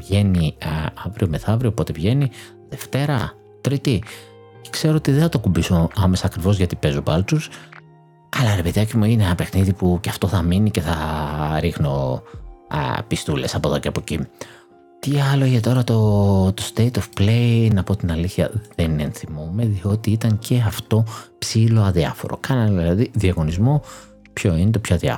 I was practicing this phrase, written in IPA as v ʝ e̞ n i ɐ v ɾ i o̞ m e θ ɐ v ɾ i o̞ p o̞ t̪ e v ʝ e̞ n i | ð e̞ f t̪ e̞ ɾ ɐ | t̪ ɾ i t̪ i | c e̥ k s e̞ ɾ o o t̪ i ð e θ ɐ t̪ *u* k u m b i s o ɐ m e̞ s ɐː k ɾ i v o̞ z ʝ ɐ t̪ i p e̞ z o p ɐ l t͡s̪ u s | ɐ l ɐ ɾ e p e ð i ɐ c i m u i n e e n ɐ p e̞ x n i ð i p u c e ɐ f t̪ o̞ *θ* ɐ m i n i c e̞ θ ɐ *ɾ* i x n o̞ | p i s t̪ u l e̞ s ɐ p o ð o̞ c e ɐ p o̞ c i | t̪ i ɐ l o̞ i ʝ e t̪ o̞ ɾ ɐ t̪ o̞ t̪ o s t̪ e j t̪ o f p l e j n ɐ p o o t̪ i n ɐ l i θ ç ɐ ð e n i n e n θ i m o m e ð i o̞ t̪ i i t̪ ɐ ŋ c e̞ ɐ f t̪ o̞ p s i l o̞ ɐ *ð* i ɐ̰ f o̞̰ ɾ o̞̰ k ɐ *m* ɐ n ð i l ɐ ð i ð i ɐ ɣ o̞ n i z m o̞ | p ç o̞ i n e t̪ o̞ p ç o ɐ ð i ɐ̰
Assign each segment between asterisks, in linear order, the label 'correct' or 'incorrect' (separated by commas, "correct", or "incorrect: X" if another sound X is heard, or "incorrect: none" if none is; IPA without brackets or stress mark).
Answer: incorrect: o, correct, correct, correct, incorrect: n